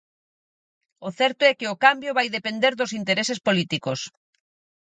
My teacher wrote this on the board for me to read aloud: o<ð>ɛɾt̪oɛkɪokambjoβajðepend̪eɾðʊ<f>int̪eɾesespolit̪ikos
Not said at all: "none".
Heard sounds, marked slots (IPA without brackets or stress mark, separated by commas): θ, s